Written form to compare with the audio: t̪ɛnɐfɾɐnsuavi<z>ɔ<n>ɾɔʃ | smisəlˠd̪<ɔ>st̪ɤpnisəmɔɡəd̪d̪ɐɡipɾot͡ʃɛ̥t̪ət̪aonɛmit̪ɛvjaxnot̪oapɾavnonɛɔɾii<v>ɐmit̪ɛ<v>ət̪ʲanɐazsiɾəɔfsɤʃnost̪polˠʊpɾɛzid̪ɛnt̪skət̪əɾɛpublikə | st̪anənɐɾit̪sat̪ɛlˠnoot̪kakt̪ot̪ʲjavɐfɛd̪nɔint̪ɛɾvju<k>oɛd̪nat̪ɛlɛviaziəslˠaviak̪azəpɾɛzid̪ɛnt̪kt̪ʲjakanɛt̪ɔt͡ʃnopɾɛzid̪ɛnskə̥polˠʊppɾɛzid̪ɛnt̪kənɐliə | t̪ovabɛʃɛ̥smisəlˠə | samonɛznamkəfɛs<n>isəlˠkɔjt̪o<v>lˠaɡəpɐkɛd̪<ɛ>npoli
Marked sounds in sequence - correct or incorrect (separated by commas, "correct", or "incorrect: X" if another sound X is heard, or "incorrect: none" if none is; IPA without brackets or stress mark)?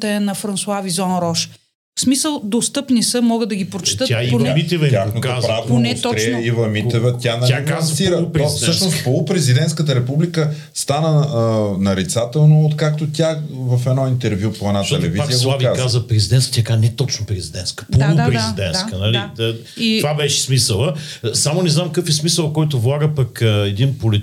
correct, correct, incorrect: o, correct, correct, incorrect: p, incorrect: m, correct, incorrect: i